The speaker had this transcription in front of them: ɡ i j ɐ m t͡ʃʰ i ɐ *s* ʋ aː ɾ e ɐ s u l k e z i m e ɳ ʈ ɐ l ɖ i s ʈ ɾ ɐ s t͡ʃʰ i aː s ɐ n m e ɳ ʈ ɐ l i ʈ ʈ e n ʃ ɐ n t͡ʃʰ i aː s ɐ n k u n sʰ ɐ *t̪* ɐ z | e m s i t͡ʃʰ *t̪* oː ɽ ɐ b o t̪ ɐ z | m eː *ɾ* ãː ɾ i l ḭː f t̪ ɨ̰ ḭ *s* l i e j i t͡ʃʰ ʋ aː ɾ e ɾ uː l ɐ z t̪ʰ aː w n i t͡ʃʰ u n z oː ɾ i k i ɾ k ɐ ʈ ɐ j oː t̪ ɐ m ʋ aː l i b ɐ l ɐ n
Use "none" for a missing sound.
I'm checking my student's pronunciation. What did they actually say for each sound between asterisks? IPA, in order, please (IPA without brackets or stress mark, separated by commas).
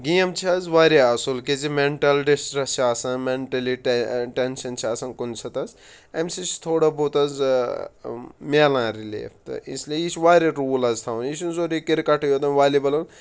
z, t̪, t̪ʰ, l, s